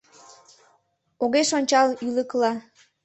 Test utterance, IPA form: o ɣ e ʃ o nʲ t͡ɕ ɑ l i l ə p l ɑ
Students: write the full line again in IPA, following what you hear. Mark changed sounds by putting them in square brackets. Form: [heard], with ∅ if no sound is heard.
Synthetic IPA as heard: o ɣ e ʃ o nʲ t͡ɕ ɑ l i l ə [k] l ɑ